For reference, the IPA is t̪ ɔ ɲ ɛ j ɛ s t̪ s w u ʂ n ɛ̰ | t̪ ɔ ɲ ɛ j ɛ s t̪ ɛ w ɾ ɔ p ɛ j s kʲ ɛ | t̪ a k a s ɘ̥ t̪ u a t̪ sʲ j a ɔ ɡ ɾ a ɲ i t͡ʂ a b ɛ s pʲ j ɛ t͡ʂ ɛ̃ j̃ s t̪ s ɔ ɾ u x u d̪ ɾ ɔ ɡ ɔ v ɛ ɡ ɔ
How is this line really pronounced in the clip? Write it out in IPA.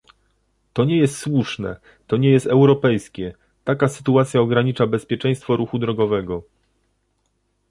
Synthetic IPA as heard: t̪ ɔ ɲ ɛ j ɛ s t̪ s w u ʂ n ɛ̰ | t̪ ɔ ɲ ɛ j ɛ s t̪ ɛ w ɾ ɔ p ɛ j s kʲ ɛ | t̪ a k a s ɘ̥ t̪ u a t̪ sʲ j a ɔ ɡ ɾ a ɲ i t͡ʂ a b ɛ s pʲ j ɛ t͡ʂ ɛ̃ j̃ s t̪ f ɔ ɾ u x u d̪ ɾ ɔ ɡ ɔ v ɛ ɡ ɔ